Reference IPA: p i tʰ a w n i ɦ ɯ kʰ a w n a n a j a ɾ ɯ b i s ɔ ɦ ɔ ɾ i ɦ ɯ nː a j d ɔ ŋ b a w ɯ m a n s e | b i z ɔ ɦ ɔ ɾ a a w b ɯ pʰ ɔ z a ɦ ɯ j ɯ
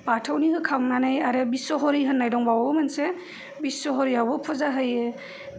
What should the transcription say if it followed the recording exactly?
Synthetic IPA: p a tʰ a w n i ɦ ɯ kʰ a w n a n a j a ɾ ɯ b i s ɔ ɦ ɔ ɾ i ɦ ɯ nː a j d ɔ ŋ b a w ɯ m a n s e | b i s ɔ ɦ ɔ ɾ i a w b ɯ pʰ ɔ z a ɦ ɯ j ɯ